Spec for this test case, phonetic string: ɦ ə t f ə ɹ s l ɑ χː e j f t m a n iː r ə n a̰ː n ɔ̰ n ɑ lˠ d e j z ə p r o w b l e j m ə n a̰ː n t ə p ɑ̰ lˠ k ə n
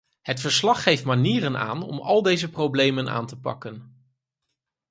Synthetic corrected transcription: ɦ ə t f ə ɹ s l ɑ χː e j f t m a n iː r ə n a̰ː n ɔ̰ m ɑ lˠ d e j z ə p r o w b l e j m ə n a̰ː n t ə p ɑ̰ k ə n